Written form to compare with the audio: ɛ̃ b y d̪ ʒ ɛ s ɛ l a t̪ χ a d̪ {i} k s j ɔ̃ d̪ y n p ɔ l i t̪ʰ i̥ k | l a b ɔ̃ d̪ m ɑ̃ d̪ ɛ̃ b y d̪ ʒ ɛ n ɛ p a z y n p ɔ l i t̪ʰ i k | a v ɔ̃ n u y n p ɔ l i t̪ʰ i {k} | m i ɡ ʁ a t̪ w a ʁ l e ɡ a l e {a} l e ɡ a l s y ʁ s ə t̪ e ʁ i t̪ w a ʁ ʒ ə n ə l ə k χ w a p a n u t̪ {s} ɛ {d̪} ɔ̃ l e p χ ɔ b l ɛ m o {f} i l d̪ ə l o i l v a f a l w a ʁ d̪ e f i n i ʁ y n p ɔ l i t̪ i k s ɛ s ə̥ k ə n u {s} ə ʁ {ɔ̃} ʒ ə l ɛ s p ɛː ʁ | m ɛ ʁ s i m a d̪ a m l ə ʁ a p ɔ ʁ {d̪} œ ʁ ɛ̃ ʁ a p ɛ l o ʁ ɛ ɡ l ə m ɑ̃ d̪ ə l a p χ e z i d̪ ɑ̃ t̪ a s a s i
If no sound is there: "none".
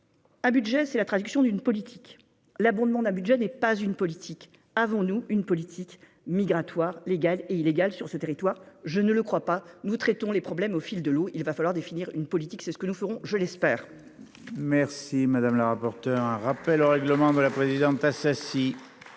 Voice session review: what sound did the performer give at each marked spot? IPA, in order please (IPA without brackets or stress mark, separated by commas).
y, k, i, χ, t̪, f, f, ɔ̃, t̪